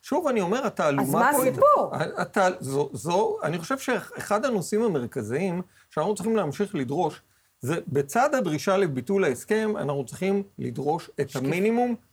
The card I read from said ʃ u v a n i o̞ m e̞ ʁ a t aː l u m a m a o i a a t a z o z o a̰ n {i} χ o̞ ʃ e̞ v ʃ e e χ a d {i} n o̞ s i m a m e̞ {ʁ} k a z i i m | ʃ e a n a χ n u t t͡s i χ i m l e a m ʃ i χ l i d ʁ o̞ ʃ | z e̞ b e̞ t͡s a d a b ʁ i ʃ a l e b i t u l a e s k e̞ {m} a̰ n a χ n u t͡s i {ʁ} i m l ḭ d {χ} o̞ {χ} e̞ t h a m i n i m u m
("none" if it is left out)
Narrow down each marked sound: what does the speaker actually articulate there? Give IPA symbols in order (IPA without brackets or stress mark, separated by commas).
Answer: i, a, ʁ, m, χ, ʁ, ʃ